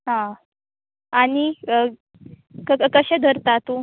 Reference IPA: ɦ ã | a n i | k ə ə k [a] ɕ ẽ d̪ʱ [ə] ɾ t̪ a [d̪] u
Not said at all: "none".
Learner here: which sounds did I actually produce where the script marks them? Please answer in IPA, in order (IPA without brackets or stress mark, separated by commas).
ə, ə, t̪